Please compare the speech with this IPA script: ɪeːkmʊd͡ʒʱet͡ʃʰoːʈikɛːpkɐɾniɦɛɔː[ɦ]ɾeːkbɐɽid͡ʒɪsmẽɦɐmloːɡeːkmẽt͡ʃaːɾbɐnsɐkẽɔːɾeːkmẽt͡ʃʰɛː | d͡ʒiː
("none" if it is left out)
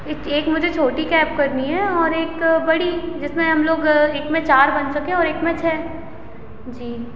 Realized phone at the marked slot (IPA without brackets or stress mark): none